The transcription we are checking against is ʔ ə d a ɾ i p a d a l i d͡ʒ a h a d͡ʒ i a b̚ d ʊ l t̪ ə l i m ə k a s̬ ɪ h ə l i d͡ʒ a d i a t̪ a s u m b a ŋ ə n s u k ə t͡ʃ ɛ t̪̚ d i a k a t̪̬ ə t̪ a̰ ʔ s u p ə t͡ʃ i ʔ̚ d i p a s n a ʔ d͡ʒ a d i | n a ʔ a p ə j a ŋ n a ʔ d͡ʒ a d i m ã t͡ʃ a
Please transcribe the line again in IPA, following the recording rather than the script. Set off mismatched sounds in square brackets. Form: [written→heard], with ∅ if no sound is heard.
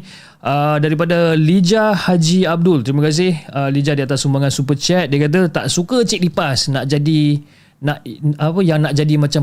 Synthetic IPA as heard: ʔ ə d a ɾ i p a d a l i d͡ʒ a h a d͡ʒ i a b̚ d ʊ l t̪ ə [l→ɾ] i m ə k a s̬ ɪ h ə l i d͡ʒ a d i a t̪ a s u m b a ŋ [ə→a] n s u [k→p] ə t͡ʃ ɛ t̪̚ d i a k a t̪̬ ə t̪ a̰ ʔ s u [p→k] ə t͡ʃ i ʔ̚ d i p a s n a ʔ d͡ʒ a d i | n a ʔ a p ə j a ŋ n a ʔ d͡ʒ a d i m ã t͡ʃ a